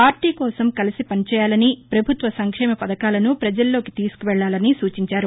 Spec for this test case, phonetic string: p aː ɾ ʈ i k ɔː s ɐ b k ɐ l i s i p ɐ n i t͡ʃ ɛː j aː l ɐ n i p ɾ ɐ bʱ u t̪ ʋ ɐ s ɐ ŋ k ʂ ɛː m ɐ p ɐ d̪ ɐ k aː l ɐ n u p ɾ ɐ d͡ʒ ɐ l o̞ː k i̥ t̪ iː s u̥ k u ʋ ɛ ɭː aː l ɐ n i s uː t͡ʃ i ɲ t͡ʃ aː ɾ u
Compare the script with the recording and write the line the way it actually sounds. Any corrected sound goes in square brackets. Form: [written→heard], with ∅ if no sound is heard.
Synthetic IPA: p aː ɾ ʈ [i→iː] k ɔː s ɐ [b→m] k ɐ l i s i p ɐ n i t͡ʃ ɛː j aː l ɐ n i p ɾ ɐ bʱ u t̪ ʋ ɐ s ɐ ŋ k ʂ ɛː m ɐ p ɐ d̪ ɐ k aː l ɐ n u p ɾ ɐ d͡ʒ ɐ [l→lː] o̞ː k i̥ t̪ iː s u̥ k u ʋ ɛ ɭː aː l ɐ n i s uː t͡ʃ i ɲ t͡ʃ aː ɾ u